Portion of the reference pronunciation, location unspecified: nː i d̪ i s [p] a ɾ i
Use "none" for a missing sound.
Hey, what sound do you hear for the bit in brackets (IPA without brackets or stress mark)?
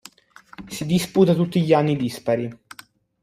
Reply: p